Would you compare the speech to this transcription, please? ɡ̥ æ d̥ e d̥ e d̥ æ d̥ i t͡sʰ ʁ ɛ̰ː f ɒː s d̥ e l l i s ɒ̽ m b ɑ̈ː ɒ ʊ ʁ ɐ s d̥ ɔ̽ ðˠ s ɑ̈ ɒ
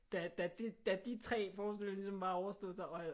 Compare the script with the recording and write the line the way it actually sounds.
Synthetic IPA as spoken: d̥ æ d̥ æ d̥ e d̥ æ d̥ i t͡sʰ ʁ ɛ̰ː f ɒː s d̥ e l l i s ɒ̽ m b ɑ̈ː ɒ ʊ ɐ s d̥ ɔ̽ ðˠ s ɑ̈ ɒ